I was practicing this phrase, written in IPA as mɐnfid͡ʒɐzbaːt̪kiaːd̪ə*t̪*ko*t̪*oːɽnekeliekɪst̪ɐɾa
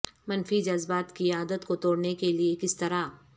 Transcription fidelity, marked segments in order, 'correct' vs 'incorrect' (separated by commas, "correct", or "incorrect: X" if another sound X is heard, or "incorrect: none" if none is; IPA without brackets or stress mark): correct, correct